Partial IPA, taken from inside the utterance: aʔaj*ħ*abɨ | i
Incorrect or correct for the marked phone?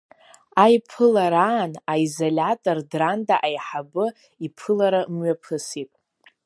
correct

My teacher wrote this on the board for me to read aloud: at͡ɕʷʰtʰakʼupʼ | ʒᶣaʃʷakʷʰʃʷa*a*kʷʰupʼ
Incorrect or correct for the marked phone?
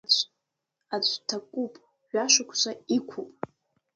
incorrect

